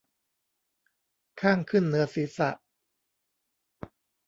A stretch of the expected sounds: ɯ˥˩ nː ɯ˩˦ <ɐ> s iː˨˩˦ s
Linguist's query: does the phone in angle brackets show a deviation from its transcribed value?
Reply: no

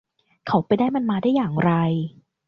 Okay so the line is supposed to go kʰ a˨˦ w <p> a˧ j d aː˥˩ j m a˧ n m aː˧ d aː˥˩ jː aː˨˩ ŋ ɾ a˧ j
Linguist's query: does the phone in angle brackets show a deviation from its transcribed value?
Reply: no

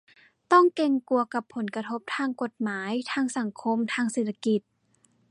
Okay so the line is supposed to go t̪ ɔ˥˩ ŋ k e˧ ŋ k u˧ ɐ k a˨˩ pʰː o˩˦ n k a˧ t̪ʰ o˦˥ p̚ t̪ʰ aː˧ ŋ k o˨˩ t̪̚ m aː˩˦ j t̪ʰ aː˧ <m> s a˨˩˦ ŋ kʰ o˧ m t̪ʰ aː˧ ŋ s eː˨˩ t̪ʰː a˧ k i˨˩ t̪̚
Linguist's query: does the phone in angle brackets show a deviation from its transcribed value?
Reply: yes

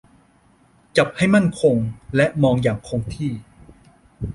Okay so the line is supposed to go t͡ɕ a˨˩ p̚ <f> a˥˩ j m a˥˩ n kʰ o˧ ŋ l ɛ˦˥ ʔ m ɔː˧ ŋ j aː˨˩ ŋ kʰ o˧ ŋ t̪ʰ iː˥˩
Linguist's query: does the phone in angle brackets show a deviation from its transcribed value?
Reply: yes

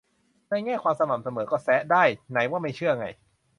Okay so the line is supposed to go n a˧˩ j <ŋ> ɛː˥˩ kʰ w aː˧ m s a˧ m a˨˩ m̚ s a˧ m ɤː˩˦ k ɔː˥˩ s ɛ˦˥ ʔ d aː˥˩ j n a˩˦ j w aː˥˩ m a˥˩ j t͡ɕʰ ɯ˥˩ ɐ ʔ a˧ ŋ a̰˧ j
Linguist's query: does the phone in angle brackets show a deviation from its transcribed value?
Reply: no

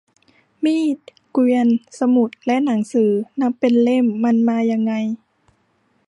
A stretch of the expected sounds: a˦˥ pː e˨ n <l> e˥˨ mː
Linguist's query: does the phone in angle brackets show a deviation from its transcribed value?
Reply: no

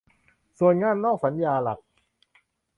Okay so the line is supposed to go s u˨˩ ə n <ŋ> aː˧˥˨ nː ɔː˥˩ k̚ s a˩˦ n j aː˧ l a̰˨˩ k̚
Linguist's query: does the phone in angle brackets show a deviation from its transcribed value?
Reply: no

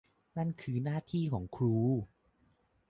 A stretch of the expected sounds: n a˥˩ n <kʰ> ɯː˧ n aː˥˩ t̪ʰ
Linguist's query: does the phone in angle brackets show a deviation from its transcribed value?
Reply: no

